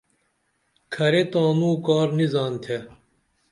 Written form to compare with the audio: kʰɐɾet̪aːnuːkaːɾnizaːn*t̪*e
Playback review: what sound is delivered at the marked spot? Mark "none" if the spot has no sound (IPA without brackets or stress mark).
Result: t̪ʰ